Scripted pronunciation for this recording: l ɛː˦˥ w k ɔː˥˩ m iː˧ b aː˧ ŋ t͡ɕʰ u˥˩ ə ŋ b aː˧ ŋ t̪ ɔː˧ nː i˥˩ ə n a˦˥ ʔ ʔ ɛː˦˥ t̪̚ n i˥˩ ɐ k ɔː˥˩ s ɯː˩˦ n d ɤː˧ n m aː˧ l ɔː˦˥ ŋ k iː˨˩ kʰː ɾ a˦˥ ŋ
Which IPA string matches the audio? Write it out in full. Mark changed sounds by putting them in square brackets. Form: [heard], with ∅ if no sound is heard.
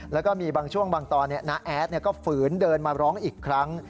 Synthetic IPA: l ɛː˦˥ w k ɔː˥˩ m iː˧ b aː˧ ŋ t͡ɕʰ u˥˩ ə ŋ b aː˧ ŋ t̪ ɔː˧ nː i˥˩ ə n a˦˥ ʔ ʔ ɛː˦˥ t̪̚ n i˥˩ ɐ k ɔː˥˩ [f] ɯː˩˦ n d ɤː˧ n m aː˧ [ɾ] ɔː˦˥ ŋ [ʔ] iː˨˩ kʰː ɾ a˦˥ ŋ